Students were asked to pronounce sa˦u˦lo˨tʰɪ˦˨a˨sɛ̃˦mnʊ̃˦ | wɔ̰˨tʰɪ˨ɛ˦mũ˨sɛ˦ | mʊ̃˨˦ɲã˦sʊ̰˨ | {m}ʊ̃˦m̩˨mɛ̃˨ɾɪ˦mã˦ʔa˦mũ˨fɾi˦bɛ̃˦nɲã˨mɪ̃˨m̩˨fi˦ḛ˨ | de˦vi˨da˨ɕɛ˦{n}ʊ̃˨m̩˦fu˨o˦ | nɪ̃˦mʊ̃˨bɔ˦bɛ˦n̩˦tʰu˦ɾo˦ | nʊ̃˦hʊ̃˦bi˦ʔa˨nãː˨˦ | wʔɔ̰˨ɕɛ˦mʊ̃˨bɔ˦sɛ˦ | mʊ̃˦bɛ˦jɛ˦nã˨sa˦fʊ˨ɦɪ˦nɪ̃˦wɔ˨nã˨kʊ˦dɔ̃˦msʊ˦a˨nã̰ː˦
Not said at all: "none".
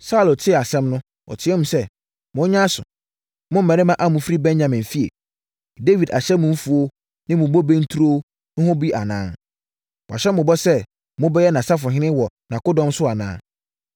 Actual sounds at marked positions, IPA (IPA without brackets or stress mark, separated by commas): m, m